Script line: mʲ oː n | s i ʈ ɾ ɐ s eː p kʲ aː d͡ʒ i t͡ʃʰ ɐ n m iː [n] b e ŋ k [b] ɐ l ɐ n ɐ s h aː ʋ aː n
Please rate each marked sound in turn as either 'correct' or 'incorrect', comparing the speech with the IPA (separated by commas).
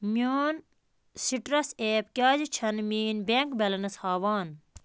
correct, correct